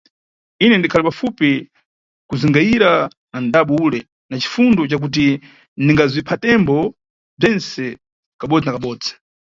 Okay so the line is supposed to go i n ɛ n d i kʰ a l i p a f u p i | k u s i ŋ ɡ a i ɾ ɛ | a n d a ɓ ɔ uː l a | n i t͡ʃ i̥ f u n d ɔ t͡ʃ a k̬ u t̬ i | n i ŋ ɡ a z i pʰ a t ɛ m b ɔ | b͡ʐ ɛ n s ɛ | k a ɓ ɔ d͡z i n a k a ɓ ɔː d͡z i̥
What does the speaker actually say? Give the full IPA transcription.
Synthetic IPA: i n ɛ n d i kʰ a l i p a f u p i | k u z i ŋ ɡ a i ɾ a | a n d a ɓ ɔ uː l ɛ | n a t͡ʃ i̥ f u n d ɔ t͡ʃ a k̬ u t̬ i | n i ŋ ɡ a z i pʰ a t ɛ m b ɔ | b͡ʐ ɛ n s ɛ | k a ɓ ɔ d͡z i n a k a ɓ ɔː d͡z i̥

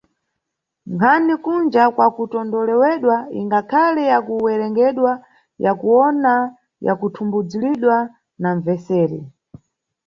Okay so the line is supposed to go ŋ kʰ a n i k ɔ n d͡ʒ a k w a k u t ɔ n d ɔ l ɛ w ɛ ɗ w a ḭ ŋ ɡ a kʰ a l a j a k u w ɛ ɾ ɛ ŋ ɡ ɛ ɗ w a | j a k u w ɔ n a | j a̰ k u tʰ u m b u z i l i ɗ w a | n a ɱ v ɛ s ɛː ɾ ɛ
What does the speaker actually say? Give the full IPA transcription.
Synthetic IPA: ŋ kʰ a n i k u n d͡ʒ a k w a k u t ɔ n d ɔ l ɛ w ɛ ɗ w a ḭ ŋ ɡ a kʰ a l ɛ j a k u w ɛ ɾ ɛ ŋ ɡ ɛ ɗ w a | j a k u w ɔ n a | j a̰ k u tʰ u m b u d͡z i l i ɗ w a | n a ɱ v ɛ s ɛː ɾ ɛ

